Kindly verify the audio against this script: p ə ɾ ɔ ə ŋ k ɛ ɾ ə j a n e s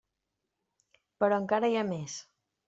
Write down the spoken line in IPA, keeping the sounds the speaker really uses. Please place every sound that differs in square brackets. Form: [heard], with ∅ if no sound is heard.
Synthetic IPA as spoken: p ə ɾ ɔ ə ŋ k [a] ɾ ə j a [m] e s